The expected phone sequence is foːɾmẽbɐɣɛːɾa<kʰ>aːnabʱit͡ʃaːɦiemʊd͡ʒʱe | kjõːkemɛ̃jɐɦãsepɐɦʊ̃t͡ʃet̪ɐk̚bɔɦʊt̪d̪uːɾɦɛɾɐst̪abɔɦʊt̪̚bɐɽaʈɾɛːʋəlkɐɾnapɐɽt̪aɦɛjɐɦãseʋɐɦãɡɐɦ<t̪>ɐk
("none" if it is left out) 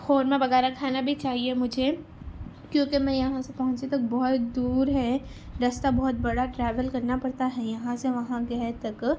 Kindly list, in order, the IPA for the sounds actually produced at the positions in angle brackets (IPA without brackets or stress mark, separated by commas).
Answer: kʰ, t̪